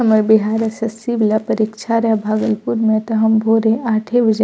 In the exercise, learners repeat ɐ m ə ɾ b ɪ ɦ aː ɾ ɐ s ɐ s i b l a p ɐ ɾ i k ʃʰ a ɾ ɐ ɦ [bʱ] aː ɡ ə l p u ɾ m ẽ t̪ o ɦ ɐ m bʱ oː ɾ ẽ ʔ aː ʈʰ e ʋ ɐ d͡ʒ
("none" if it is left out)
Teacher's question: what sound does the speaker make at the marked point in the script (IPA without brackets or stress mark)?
bʱ